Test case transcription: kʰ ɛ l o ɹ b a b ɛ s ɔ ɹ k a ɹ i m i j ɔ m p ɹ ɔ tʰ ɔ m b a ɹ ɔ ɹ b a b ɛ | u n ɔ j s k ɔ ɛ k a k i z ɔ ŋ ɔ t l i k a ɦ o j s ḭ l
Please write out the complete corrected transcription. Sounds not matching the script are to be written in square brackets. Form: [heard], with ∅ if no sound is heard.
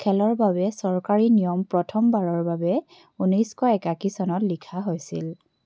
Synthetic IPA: kʰ ɛ l [ɔ] ɹ b a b ɛ s ɔ ɹ k a ɹ i [n] i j ɔ m p ɹ ɔ tʰ ɔ m b a ɹ ɔ ɹ b a b ɛ | u n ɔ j s k ɔ ɛ k a k i [s] ɔ [n] ɔ t l i [kʰ] a ɦ o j s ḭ l